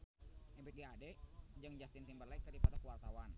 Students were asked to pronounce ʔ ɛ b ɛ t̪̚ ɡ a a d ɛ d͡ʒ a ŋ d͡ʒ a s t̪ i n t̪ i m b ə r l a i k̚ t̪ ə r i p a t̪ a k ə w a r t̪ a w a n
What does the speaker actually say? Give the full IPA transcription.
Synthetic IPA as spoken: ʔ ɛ b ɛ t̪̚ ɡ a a d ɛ d͡ʒ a ŋ d͡ʒ a s t̪ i n t̪ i m b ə r l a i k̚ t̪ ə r i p a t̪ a k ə w a r t̪ a w a n